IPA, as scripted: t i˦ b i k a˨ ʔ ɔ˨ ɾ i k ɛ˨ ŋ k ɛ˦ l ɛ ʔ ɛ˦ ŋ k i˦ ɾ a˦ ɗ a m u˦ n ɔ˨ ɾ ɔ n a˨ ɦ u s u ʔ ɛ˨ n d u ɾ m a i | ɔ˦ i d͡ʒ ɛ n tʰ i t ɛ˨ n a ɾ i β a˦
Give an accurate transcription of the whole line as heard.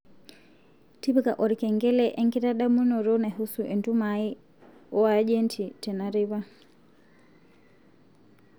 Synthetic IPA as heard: t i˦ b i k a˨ ʔ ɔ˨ ɾ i k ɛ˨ ŋ ɡ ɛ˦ l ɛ ʔ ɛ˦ ŋ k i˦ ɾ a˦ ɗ a m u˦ n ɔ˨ ɾ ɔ n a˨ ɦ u s u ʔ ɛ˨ n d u m a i | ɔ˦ a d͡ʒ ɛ n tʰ i t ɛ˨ n a ɾ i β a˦